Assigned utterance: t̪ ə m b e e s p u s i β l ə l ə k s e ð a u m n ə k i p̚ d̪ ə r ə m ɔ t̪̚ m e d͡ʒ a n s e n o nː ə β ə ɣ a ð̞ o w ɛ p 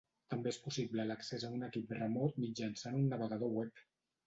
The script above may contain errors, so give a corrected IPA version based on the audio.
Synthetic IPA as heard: t̪ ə m b e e s p u s i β l ə l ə k s e z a u n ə k i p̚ d̪ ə r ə m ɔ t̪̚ m i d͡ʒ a n s a n u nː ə β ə ɣ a ð̞ o w ɛ p